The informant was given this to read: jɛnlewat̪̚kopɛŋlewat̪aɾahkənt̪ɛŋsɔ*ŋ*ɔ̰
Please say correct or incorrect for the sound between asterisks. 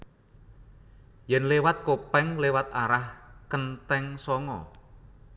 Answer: correct